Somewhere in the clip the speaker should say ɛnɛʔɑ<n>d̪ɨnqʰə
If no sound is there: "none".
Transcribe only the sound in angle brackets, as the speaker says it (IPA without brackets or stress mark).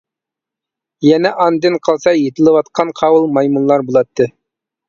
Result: n